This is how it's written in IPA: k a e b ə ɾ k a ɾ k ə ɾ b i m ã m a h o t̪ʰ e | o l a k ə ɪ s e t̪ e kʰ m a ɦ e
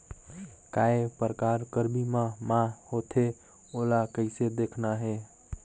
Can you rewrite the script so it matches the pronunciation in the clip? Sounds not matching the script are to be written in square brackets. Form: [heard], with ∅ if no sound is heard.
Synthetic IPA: k a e [p] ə ɾ k a ɾ k ə ɾ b i m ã m a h o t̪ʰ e | o l a k ə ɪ s e [d̪] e kʰ [n] a ɦ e